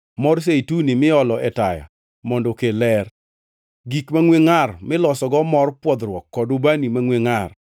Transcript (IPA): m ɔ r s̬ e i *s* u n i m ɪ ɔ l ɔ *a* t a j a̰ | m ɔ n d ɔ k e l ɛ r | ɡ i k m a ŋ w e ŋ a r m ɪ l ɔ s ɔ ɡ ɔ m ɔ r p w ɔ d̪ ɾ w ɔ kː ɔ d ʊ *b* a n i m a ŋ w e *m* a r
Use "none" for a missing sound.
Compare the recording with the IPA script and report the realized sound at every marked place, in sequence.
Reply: t, ɛ, b, ŋ

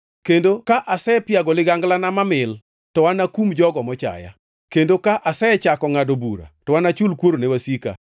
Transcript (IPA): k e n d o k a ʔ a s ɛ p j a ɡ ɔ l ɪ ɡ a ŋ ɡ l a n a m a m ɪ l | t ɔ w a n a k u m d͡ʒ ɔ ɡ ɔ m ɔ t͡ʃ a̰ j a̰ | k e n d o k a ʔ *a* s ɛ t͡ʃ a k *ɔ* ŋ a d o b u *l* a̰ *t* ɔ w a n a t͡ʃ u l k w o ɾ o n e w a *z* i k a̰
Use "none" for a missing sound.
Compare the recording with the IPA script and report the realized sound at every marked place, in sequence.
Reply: a, ɔ, ɾ, t, s

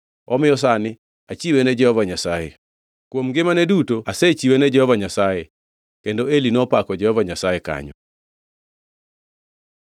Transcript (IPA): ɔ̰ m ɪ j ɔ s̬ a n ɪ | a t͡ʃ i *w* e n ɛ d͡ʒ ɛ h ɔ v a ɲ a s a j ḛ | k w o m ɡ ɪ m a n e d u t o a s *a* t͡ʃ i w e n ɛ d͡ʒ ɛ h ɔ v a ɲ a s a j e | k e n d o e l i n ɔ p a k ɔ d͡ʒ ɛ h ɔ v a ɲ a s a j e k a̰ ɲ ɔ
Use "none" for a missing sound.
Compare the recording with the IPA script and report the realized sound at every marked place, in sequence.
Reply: w, e

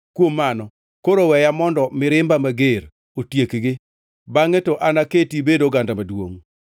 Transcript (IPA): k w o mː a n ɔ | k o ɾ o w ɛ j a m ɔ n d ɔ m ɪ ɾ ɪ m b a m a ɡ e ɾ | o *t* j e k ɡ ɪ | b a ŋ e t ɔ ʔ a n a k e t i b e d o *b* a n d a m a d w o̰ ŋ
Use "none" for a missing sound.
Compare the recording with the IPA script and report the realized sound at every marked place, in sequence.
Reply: t, ɡ

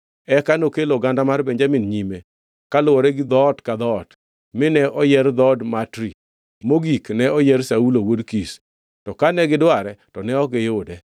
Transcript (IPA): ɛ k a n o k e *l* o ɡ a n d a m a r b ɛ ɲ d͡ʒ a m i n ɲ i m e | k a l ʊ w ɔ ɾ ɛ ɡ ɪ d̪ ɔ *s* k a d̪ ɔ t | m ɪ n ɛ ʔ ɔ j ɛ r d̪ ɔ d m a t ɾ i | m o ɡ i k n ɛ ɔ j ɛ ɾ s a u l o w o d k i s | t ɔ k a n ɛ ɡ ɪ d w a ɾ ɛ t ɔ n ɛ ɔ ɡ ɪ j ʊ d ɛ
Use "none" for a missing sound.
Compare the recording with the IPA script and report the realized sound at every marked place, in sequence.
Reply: l, t

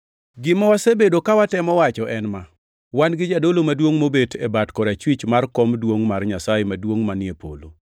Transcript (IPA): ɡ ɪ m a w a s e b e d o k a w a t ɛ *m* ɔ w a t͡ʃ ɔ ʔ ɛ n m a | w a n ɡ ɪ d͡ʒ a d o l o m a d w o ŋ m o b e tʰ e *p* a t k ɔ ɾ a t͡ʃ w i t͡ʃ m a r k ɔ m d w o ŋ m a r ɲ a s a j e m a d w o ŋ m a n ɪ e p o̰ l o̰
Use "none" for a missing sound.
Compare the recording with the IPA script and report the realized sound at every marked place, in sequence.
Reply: m, b

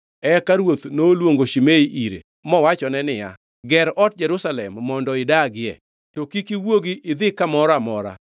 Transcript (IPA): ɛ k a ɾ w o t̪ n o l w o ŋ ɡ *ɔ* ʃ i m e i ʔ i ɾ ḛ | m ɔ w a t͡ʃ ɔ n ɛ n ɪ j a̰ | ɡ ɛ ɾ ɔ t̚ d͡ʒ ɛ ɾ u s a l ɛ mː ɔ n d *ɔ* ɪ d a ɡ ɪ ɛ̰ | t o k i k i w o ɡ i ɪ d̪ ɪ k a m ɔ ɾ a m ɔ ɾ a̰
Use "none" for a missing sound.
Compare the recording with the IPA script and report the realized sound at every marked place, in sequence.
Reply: o, ɔ

